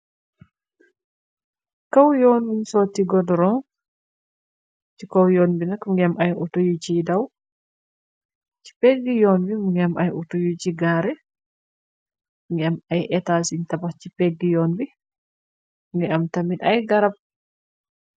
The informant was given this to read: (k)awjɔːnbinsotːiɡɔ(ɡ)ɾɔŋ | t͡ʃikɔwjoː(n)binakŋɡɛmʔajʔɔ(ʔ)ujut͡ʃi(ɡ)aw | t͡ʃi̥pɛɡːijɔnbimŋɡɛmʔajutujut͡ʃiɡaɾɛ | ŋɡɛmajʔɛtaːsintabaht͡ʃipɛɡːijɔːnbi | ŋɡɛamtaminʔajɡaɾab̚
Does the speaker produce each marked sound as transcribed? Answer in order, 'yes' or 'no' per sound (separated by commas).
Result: yes, no, yes, no, no